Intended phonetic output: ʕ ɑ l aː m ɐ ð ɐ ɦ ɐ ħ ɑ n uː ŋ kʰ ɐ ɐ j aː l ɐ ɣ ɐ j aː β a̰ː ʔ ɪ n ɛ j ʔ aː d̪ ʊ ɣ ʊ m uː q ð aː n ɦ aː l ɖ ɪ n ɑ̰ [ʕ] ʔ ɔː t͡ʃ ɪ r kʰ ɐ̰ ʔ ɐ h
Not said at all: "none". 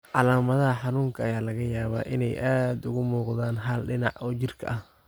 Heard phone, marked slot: ʕ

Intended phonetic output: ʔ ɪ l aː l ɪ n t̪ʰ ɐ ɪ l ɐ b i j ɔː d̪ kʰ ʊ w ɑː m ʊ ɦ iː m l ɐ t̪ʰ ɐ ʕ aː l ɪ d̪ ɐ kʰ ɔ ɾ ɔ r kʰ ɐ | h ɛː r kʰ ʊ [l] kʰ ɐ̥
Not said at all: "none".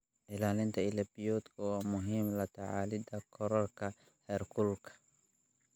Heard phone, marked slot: l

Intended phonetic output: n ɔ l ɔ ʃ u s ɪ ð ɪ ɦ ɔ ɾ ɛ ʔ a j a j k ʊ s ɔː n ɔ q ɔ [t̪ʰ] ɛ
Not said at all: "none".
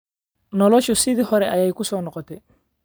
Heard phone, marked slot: t̪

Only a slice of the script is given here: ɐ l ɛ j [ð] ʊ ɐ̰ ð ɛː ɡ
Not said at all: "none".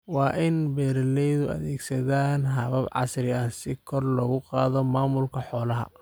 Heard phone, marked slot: ð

